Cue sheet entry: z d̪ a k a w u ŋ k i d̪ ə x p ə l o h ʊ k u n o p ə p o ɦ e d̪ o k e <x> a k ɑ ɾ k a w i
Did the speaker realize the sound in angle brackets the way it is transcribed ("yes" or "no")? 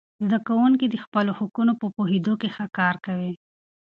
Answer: yes